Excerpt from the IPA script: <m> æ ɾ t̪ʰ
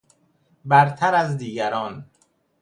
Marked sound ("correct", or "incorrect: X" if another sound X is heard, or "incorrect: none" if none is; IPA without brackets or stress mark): incorrect: b